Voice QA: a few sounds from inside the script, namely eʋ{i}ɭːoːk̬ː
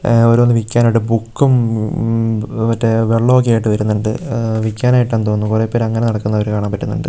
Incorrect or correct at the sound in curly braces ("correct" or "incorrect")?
incorrect